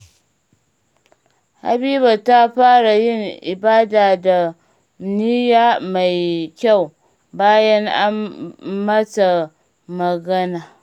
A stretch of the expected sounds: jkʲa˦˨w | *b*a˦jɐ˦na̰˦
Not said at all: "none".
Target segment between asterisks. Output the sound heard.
b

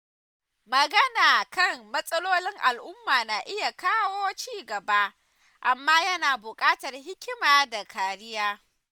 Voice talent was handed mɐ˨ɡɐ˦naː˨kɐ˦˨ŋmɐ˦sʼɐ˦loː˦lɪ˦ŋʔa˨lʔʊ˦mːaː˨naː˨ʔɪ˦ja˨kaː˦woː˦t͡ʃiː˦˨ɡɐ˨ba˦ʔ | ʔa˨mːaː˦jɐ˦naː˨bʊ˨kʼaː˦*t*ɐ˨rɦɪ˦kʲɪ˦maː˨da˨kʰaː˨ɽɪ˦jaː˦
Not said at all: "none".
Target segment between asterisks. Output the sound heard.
t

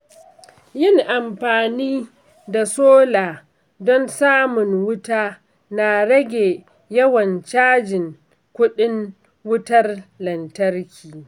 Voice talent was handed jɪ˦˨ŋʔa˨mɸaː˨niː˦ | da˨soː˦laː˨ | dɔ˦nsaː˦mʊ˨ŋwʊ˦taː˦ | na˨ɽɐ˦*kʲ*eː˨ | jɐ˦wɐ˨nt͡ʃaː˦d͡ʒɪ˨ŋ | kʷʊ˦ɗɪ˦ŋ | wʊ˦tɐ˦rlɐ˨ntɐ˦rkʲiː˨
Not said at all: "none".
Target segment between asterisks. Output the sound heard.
ɡʲ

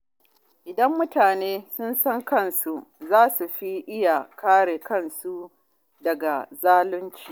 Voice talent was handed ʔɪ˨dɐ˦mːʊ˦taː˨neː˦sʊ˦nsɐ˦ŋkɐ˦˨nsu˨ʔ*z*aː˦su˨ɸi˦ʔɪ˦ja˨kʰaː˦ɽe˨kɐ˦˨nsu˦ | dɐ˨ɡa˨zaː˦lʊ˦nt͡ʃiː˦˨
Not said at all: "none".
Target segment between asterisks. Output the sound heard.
z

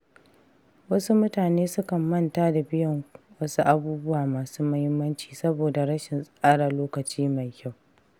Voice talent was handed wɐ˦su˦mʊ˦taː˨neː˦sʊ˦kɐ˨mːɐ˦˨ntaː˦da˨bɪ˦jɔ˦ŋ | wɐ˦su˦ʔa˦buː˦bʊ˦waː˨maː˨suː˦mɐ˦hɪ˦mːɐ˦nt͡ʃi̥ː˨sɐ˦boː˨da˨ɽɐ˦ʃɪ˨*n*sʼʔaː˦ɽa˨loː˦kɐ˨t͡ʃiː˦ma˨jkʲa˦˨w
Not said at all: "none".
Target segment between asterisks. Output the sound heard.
n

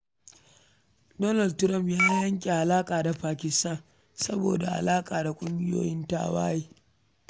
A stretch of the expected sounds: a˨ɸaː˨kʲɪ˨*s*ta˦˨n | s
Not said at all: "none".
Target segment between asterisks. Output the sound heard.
s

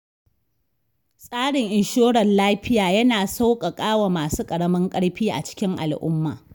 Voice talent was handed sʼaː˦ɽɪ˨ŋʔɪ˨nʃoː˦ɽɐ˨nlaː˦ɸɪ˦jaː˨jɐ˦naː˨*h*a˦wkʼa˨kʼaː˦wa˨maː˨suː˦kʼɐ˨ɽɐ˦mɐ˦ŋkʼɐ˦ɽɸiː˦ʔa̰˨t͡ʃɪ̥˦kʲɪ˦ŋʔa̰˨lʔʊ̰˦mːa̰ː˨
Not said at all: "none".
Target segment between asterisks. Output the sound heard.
s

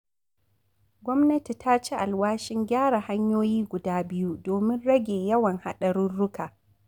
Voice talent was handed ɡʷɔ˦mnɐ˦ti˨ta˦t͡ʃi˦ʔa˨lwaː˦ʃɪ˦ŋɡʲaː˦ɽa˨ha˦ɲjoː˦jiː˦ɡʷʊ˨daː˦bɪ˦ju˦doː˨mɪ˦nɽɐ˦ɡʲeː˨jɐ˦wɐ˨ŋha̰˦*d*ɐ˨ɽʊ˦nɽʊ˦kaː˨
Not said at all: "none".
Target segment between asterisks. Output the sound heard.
ɗ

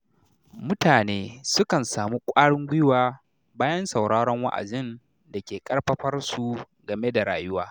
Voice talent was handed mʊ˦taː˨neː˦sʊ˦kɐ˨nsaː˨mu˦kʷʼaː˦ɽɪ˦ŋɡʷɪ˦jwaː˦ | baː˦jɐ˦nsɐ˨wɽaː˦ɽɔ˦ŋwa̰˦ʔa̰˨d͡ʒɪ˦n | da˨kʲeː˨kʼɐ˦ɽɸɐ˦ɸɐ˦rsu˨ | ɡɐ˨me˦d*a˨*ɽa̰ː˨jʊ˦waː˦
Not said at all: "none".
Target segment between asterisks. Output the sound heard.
a˨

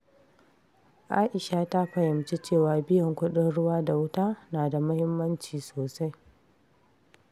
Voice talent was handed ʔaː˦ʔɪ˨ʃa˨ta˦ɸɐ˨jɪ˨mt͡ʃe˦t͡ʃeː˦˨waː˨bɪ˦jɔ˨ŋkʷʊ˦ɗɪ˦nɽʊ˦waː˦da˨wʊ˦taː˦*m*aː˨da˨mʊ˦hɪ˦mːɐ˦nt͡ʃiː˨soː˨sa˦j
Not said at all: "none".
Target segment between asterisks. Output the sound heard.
n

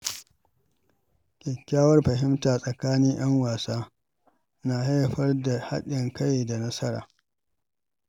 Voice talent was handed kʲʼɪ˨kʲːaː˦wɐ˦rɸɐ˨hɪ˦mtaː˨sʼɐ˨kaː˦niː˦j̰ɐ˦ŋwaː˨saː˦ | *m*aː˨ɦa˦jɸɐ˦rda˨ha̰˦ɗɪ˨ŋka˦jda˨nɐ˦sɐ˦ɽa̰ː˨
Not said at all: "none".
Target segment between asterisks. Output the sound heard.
n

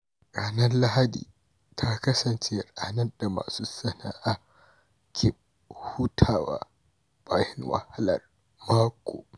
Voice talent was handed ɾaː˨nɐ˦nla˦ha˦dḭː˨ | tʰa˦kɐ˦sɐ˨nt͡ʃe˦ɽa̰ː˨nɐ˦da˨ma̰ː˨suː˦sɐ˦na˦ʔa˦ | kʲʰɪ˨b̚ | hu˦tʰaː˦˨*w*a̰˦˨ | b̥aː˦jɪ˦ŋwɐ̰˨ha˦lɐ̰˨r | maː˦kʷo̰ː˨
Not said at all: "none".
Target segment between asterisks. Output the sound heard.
w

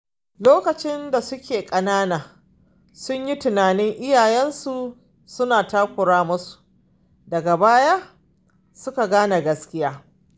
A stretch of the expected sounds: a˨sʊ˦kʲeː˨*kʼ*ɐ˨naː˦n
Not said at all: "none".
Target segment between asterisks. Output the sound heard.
kʼ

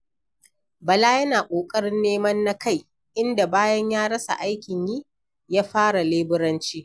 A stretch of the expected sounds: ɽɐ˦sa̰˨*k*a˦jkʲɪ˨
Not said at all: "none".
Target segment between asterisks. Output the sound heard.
ʔ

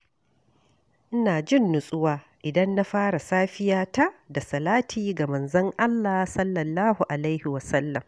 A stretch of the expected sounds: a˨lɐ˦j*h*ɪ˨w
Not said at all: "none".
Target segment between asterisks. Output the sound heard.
h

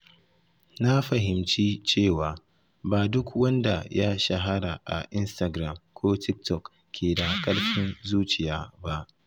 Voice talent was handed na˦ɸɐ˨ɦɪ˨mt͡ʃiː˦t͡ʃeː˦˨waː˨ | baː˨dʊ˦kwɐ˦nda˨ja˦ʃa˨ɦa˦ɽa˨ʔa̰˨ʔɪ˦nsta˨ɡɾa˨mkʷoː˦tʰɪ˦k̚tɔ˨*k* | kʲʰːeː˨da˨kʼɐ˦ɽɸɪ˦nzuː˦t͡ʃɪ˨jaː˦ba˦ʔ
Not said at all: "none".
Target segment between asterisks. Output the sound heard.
k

